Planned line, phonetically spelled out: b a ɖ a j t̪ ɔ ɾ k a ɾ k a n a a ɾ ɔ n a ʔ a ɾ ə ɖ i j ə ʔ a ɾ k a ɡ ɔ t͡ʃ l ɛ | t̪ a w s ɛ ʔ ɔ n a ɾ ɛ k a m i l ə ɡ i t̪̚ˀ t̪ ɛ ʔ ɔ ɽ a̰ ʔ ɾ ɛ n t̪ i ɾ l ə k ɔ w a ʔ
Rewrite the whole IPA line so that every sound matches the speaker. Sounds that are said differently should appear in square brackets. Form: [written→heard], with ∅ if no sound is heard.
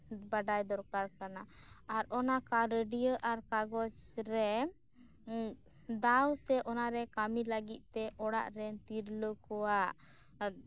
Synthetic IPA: b a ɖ a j [t̪→d̪] ɔ ɾ k a ɾ k a n a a ɾ ɔ n a [ʔ→k] a ɾ ə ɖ i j ə ʔ a ɾ k a ɡ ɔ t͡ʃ [l→ɾ] ɛ | [t̪→d̪] a w s ɛ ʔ ɔ n a ɾ ɛ k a m i l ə ɡ i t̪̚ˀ t̪ ɛ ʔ ɔ ɽ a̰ ʔ ɾ ɛ n t̪ i ɾ l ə k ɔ w a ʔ

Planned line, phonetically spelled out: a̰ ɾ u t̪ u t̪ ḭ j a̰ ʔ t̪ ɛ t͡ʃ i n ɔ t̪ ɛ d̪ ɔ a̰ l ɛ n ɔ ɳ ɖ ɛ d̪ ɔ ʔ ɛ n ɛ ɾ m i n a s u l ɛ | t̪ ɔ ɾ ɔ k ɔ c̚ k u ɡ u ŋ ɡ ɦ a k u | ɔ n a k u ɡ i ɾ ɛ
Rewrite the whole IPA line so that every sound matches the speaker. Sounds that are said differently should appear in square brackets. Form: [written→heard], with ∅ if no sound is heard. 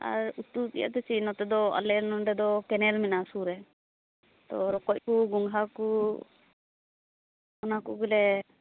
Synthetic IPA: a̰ ɾ u t̪ u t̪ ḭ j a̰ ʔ t̪ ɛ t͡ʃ i n ɔ t̪ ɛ d̪ ɔ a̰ l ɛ n ɔ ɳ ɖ ɛ d̪ ɔ [ʔ→k] ɛ n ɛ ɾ m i n a s u [l→ɾ] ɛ | t̪ ɔ ɾ ɔ k ɔ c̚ k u ɡ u ŋ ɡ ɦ a k u | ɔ n a k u ɡ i [ɾ→l] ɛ

